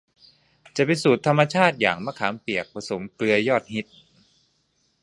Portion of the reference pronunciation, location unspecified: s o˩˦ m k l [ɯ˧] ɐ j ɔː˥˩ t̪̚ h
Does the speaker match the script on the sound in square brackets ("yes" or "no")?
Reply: yes